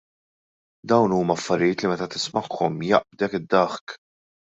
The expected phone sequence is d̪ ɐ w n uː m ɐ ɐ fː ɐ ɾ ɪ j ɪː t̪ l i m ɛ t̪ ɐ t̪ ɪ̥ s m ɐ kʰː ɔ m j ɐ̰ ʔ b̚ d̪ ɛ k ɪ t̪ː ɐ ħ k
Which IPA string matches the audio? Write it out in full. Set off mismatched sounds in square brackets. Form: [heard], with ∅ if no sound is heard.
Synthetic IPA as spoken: d̪ ɐ w n uː m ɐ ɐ fː ɐ ɾ ɪ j ɪː t̪ l i m ɛ t̪ ɐ t̪ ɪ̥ s m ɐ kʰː ɔ m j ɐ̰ ʔ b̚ d̪ ɛ k ɪ [d̪ː] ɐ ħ k